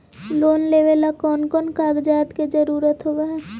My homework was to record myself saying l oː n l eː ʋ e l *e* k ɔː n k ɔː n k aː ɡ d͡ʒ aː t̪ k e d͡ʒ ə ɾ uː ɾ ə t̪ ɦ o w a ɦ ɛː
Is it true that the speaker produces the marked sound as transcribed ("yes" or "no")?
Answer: no